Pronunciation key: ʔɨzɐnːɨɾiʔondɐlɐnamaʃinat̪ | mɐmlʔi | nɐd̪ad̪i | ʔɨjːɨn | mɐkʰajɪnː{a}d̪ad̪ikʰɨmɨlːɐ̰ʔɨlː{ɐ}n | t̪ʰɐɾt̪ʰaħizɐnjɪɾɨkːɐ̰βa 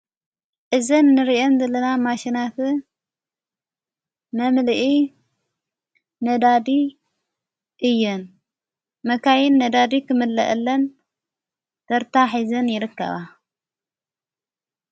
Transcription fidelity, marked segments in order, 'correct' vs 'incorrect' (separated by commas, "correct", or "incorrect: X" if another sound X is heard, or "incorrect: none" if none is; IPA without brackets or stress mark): incorrect: ɐ, correct